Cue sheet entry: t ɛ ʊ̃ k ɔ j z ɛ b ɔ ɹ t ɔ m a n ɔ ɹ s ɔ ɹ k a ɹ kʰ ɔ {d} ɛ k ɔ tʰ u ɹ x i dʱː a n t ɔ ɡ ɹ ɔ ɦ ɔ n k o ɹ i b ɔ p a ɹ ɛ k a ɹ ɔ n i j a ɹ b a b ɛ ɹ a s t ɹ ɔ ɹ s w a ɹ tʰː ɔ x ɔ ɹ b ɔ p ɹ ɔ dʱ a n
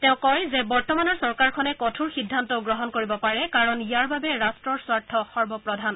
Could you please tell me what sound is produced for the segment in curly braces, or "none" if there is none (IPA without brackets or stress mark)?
n